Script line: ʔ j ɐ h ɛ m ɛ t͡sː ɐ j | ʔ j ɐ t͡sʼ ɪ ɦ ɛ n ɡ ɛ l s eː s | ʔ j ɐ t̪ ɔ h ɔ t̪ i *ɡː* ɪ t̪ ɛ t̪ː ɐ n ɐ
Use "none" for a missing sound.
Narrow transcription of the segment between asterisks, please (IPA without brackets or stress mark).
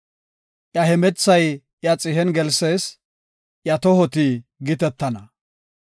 ɡ